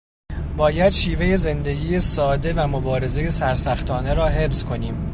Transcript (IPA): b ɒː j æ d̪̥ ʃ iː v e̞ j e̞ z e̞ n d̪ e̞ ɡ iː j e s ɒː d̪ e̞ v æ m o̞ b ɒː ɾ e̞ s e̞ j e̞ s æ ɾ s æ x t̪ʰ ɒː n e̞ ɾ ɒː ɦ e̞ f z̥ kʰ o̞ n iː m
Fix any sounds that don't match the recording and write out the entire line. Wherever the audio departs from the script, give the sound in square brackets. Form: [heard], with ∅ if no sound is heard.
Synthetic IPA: b ɒː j æ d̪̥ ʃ iː v e̞ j e̞ z e̞ n d̪ e̞ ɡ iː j e s ɒː d̪ e̞ v æ m o̞ b ɒː ɾ e̞ [z] e̞ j e̞ s æ ɾ s æ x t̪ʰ ɒː n e̞ ɾ ɒː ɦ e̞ f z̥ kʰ o̞ n iː m